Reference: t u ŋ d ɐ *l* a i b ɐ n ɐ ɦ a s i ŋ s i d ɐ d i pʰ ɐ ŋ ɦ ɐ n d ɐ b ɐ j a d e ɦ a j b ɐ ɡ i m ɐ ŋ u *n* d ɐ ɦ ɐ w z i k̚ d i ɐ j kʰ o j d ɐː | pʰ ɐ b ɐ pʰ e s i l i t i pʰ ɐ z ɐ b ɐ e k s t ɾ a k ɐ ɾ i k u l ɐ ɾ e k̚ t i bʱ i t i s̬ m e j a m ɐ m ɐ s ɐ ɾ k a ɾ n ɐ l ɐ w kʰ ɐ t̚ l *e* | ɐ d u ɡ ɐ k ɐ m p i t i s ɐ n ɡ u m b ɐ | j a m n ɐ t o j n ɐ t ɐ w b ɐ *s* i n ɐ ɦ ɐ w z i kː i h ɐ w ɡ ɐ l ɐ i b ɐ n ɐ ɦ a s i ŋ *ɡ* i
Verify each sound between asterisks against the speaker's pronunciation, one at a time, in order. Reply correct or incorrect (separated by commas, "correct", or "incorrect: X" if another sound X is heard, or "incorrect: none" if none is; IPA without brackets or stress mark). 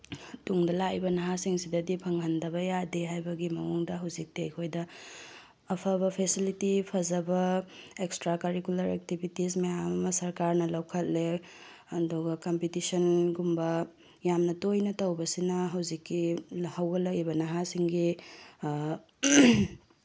correct, incorrect: ŋ, correct, correct, correct